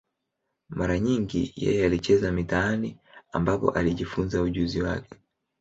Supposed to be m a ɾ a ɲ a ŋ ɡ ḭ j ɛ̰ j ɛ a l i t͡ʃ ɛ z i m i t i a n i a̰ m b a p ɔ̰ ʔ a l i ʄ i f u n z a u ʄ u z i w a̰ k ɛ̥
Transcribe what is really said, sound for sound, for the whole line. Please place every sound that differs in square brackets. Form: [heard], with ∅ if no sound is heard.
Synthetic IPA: m a ɾ a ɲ [i] ŋ ɡ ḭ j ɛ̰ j ɛ a l i t͡ʃ ɛ z [a] m i t [a] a n i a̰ m b a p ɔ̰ ʔ a l i ʄ i f u n z a u ʄ u z i w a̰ k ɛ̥